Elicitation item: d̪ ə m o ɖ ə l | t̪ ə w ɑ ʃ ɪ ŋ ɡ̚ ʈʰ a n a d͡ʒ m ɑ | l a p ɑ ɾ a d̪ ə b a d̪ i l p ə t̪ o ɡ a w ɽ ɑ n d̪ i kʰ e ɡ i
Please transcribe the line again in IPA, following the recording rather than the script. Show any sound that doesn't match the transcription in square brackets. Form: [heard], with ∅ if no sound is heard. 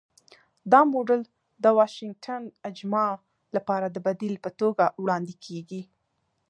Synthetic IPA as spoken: d̪ [ɑ] m o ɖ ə l | [d̪] ə w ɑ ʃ ɪ ŋ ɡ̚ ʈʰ a n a d͡ʒ m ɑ | l a p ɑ ɾ a d̪ ə b a d̪ i l p ə t̪ o ɡ a w ɽ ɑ n d̪ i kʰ e ɡ i